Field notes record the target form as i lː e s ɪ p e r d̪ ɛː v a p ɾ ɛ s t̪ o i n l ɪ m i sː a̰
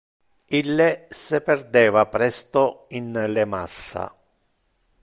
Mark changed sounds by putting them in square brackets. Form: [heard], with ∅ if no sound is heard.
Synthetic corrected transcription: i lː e s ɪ p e r d̪ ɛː v a p ɾ ɛ s t̪ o i n l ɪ m [a] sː a̰